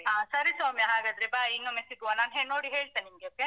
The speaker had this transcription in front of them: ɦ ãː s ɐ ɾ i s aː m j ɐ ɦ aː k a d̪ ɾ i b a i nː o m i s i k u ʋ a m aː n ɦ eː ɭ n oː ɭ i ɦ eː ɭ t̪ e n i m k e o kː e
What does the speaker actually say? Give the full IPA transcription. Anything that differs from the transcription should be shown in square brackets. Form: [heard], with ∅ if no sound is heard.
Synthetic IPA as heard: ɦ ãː s ɐ ɾ i s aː m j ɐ ɦ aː [ɡ] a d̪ ɾ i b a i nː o m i s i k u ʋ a [n] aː n ɦ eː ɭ n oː [ɽ] i ɦ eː ɭ t̪ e n i m [ɡ] e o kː e